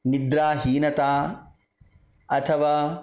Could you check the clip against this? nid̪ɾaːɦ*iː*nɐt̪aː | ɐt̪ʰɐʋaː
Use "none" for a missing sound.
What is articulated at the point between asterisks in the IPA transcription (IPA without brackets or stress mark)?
iː